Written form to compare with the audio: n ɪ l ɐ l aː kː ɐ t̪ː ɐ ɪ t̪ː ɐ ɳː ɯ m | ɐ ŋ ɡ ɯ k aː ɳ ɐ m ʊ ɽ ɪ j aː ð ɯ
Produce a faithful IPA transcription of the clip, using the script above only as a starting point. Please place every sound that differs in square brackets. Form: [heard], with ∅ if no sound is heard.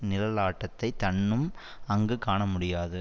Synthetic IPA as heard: n ɪ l ɐ l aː [ʈː] ɐ t̪ː ɐ ɪ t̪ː ɐ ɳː ɯ m | ɐ ŋ ɡ ɯ k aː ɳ ɐ m ʊ ɽ ɪ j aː ð ɯ